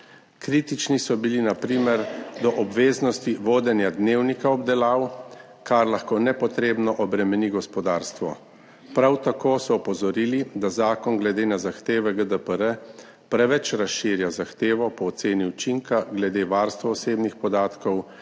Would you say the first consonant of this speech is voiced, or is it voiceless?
voiceless